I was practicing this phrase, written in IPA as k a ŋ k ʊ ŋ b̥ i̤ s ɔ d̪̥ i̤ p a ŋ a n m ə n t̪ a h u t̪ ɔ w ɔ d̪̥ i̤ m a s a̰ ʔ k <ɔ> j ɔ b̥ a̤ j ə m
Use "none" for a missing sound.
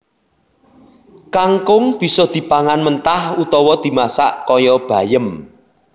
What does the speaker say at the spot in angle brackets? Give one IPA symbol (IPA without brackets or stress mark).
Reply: ɔ